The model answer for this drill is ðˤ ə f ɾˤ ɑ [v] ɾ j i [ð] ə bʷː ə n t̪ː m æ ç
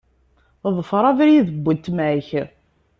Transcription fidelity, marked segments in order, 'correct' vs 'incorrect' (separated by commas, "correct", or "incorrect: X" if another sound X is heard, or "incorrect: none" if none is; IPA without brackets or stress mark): correct, correct